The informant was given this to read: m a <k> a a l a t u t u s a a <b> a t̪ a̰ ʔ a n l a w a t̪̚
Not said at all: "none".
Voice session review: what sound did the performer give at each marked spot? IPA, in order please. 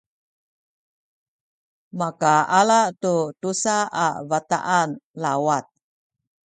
k, v

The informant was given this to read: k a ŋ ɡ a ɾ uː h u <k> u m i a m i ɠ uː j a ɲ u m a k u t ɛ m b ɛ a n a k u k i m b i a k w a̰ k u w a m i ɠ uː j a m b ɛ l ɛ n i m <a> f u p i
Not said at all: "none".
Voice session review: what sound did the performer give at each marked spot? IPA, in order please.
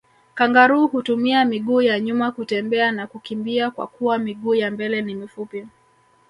t, i

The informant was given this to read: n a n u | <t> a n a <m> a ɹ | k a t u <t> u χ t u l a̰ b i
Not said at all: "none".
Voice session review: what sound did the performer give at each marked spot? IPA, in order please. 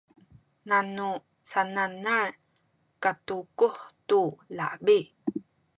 s, n, k

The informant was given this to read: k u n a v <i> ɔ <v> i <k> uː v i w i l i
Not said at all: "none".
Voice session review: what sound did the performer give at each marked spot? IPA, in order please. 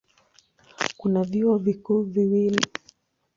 i, v, k

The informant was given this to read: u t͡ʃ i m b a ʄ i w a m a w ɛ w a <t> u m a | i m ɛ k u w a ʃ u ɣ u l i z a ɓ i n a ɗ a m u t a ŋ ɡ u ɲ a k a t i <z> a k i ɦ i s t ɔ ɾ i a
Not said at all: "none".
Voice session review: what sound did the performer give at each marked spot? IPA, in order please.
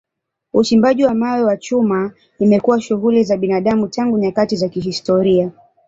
t͡ʃ, z

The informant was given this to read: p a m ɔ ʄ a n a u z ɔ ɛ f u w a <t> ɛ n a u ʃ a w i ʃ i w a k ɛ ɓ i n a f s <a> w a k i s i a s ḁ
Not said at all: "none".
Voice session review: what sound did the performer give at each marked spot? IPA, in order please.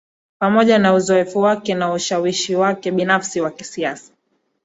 k, i

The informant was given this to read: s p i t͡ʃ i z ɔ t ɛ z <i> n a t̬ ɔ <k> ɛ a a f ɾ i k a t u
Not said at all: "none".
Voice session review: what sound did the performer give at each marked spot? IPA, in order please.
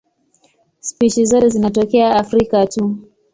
i, k

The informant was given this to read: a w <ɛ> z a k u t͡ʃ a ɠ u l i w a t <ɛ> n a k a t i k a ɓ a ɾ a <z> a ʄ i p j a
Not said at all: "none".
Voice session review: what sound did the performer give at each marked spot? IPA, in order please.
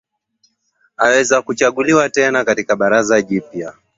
ɛ, ɛ, z

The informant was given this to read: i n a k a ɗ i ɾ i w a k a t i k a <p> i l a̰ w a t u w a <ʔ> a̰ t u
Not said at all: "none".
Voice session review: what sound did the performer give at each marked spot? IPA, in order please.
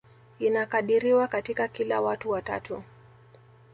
k, t

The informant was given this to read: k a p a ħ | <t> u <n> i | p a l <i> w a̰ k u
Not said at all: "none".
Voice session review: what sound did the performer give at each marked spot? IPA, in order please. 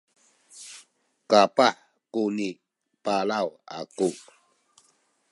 k, n, a

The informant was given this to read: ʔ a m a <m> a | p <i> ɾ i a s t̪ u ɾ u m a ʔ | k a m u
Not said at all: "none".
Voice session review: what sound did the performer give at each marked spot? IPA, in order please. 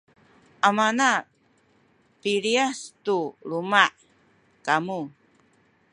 n, i

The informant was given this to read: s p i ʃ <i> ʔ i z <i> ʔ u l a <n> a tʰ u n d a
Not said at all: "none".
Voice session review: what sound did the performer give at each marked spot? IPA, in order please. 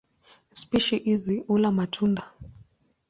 i, i, m

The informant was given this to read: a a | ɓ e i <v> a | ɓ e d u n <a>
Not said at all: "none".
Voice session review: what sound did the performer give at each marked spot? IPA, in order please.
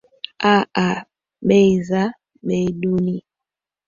z, i

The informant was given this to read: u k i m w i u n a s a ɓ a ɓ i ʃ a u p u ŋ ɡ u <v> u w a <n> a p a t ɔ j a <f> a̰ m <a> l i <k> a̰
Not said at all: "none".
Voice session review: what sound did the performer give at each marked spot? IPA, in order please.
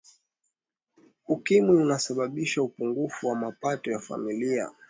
f, m, f, i, none

